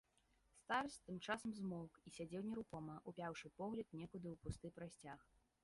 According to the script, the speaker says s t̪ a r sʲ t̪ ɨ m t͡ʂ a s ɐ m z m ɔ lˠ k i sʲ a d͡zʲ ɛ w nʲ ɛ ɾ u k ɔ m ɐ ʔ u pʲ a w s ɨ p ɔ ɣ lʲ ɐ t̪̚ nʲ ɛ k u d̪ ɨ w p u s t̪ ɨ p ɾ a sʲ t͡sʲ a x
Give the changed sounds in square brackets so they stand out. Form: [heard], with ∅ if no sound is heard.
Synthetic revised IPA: s t̪ a r sʲ t̪ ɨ m t͡ʂ a s ɐ m z m ɔ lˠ k i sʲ a d͡zʲ ɛ w nʲ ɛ ɾ u k ɔ m ɐ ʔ u pʲ a w [ʂ] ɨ p ɔ ɣ lʲ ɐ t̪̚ nʲ ɛ k u d̪ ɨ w p u s t̪ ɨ p ɾ a sʲ t͡sʲ a x